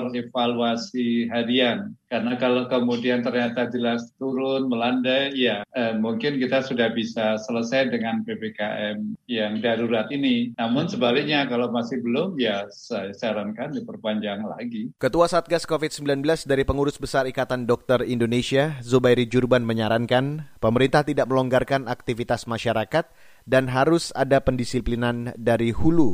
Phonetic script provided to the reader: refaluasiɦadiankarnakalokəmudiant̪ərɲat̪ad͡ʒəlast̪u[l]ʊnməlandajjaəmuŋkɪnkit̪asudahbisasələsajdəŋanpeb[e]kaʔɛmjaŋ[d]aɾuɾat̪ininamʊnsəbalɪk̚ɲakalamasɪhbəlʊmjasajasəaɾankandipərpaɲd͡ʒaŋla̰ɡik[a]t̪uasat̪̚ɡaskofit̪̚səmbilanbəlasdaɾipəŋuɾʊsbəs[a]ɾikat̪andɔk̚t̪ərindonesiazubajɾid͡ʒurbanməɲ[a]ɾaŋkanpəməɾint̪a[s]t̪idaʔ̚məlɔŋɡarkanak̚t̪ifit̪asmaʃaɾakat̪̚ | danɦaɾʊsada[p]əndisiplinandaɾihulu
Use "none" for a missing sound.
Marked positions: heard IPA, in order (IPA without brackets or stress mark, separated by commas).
ɾ, e, d, ə, a, a, h, p